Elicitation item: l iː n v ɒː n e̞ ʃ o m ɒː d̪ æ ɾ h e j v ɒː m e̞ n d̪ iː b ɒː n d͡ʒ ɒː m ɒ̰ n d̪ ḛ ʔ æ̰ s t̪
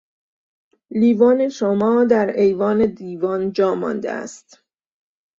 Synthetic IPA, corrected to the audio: l iː v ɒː n e̞ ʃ o m ɒː d̪ æ ɾ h e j v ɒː n e̞ d̪ iː v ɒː n d͡ʒ ɒː m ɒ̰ n d̪ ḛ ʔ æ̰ s t̪